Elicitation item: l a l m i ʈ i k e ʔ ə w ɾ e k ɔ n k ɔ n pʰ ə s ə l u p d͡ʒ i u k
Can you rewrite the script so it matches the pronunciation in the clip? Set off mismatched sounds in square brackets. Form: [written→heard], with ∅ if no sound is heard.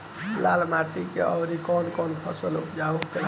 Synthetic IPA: l a l m [i→a] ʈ i k e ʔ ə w ɾ [e→i] k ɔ n k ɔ n pʰ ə s ə l u p d͡ʒ [i→a] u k